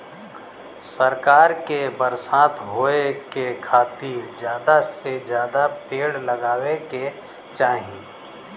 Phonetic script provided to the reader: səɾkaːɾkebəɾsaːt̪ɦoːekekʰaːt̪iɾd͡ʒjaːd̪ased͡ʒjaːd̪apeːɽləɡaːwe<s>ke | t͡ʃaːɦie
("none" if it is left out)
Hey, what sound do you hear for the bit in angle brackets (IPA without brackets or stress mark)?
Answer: none